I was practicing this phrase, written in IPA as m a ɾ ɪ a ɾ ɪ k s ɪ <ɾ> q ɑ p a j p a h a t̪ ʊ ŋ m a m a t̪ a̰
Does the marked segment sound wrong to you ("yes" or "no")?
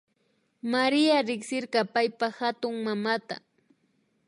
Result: no